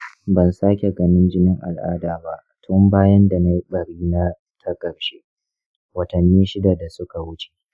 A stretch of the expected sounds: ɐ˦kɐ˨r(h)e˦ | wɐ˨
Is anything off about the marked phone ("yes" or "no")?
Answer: yes